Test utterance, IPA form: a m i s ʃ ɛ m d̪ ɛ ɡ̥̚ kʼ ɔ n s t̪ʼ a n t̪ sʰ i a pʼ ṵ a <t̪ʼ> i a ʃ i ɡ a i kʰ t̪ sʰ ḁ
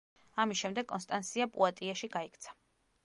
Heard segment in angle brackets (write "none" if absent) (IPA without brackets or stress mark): t̪ʼ